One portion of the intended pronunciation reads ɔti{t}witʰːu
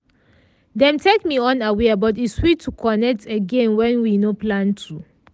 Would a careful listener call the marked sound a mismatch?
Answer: yes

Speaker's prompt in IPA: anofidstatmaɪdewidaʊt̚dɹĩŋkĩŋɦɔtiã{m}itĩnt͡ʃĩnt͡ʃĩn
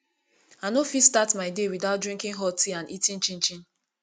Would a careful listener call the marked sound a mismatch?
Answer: yes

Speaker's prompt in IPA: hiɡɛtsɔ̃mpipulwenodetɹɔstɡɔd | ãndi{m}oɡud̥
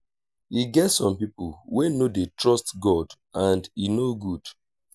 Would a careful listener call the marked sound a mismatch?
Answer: yes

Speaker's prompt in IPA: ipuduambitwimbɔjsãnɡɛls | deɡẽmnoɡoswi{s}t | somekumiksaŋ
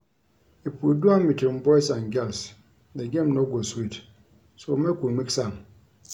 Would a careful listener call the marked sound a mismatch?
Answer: yes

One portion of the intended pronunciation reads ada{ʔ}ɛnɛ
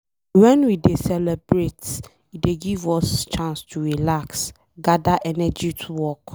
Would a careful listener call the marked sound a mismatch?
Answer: no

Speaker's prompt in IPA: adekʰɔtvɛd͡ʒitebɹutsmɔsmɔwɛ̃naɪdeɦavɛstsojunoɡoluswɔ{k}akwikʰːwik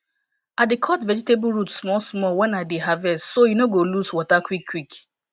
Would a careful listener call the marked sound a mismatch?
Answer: yes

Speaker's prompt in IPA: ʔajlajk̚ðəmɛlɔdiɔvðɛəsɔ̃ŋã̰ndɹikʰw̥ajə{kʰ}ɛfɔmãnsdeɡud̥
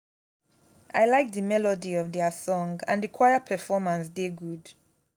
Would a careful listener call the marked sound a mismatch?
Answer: yes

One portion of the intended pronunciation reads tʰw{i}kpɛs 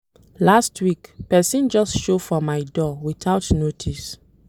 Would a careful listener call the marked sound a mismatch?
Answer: no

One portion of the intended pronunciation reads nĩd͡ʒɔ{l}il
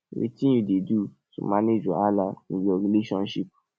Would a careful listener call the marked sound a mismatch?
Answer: yes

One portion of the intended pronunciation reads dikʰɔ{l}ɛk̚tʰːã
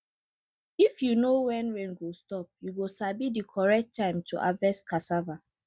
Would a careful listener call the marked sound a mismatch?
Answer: yes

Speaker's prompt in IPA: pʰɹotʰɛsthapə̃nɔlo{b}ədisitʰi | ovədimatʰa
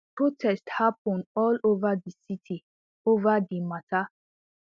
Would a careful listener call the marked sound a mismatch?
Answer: yes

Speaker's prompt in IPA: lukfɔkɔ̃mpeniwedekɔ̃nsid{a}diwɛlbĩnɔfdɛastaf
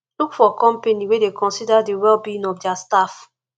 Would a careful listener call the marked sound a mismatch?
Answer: no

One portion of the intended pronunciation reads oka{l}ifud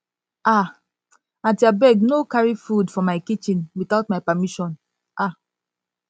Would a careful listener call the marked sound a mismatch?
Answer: yes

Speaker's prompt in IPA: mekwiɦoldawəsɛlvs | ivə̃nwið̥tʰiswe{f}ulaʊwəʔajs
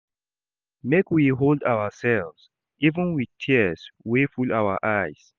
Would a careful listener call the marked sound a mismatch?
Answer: no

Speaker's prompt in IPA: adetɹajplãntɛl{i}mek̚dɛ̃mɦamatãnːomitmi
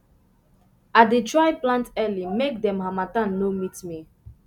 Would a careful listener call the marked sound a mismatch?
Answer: no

